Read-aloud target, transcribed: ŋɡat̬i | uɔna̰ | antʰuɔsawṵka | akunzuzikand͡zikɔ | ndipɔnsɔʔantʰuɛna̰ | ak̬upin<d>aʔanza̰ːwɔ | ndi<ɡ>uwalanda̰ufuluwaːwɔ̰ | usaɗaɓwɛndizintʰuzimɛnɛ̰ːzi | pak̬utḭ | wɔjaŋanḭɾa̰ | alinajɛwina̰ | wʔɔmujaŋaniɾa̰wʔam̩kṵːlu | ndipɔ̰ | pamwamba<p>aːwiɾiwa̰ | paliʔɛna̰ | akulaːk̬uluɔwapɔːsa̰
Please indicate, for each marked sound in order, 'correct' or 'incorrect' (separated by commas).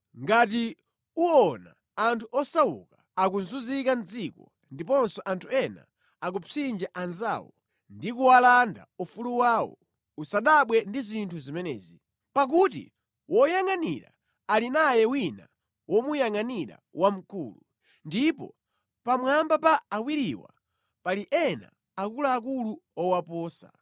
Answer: incorrect, incorrect, correct